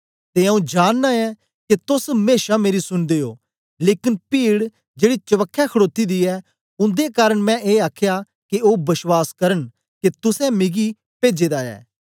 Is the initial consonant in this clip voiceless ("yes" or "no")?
yes